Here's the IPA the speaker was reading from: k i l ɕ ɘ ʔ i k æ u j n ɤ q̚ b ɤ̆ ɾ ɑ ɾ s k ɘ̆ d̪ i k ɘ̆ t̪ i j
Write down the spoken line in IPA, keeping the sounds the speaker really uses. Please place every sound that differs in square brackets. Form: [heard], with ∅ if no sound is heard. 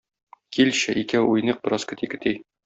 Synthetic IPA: k i l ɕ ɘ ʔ i k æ u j n ɤ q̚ b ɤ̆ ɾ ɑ [∅] s k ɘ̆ [t̪] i k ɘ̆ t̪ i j